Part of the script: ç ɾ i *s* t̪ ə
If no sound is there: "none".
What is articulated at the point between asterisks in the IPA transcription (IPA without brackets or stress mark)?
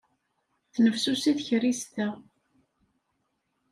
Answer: s